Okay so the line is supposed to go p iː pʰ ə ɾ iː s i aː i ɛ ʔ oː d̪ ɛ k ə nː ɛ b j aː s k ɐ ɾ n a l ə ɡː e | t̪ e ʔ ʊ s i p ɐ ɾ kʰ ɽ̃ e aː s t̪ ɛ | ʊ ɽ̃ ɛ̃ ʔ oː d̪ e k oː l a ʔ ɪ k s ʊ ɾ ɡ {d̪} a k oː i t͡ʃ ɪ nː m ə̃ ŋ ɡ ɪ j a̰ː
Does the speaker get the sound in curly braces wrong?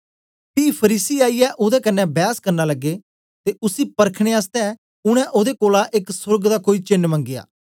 no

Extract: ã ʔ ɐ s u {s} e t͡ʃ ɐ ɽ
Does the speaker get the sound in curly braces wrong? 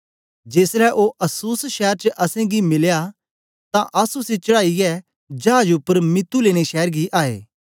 no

